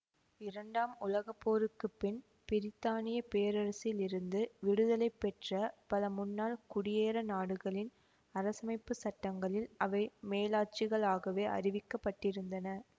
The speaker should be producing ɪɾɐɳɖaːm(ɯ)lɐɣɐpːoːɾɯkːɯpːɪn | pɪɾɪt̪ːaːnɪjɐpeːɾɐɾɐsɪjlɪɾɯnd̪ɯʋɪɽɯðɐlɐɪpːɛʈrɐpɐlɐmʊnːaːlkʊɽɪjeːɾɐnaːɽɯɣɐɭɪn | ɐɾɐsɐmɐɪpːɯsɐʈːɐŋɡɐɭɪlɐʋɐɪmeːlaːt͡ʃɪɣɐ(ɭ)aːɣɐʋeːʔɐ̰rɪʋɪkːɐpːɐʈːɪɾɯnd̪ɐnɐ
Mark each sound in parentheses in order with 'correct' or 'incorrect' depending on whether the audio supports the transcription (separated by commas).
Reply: incorrect, correct